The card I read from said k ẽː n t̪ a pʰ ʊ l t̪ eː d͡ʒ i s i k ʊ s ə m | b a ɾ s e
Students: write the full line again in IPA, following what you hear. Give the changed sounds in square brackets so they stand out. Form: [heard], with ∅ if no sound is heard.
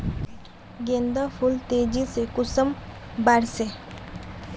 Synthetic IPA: [ɡ] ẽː n [d̪] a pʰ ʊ l t̪ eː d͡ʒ i s [e] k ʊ s ə m | b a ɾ s e